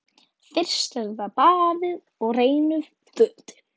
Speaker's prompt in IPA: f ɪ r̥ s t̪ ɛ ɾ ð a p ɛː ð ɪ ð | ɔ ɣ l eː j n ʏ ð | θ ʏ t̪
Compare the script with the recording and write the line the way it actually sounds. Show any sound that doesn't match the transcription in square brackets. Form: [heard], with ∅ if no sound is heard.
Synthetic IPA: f ɪ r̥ s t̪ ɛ ɾ ð a p [aː] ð ɪ ð | ɔ ɣ [r] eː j n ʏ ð | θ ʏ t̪